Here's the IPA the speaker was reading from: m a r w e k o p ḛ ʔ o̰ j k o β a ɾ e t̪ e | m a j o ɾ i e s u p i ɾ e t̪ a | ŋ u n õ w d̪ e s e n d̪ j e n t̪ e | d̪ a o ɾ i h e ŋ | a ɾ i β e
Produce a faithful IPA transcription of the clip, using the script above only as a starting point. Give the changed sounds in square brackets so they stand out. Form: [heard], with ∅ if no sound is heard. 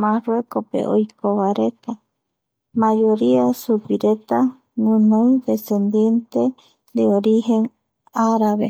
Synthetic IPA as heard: m a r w e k o p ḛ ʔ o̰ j k o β a ɾ e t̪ [a] | m a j o ɾ i [a] s u p i ɾ e t̪ a | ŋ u n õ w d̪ e s e n d̪ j e n t̪ e | d̪ [e] o ɾ i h e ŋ | a ɾ [a] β e